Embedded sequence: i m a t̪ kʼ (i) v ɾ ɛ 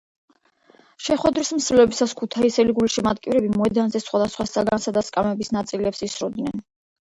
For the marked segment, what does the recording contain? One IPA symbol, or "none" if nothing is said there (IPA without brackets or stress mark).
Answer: i